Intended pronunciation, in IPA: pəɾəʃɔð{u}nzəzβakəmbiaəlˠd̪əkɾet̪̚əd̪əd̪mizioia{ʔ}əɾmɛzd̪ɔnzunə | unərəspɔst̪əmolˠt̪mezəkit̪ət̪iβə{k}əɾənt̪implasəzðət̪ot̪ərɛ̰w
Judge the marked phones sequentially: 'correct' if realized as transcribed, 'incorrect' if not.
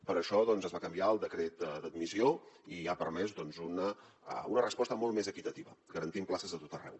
incorrect, incorrect, incorrect

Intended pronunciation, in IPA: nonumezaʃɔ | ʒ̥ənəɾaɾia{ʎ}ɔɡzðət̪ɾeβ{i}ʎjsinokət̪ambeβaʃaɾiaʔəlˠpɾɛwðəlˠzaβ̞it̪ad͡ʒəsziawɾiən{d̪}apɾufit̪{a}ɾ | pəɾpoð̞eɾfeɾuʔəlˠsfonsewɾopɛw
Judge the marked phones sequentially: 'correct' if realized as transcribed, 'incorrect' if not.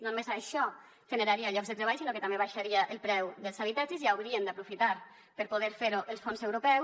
correct, incorrect, correct, correct

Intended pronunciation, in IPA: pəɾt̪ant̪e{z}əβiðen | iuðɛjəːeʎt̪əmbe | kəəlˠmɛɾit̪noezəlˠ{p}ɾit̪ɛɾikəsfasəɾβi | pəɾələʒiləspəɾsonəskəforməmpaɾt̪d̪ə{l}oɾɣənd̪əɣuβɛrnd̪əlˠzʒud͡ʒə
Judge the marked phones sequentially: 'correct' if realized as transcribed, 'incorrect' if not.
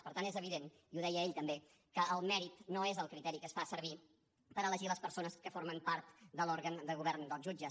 correct, incorrect, correct

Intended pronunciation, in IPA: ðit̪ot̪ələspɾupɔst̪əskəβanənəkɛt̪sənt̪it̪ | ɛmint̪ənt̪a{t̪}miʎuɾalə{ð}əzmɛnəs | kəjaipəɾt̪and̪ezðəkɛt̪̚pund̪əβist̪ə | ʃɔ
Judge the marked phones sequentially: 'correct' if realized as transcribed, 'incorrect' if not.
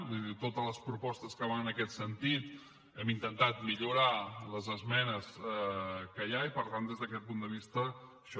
correct, incorrect

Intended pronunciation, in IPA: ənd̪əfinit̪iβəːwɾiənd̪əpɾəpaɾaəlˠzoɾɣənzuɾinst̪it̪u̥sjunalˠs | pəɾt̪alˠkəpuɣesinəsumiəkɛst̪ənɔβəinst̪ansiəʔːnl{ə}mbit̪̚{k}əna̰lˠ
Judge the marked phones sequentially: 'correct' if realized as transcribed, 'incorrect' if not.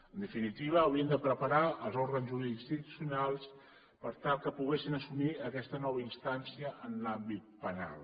incorrect, incorrect

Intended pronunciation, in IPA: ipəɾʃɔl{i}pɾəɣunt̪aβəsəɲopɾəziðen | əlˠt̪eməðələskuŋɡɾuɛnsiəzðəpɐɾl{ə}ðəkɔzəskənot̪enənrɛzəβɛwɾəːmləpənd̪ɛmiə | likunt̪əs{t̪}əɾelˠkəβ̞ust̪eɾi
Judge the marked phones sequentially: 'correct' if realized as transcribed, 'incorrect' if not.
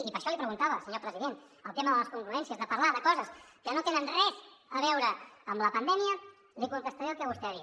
correct, incorrect, correct

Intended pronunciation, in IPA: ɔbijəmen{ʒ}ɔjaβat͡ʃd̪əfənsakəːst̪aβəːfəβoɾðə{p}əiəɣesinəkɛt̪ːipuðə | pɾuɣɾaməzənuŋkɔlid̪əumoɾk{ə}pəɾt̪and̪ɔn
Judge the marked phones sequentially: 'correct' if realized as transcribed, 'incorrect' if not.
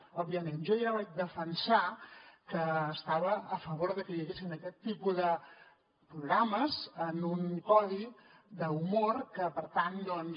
correct, incorrect, correct

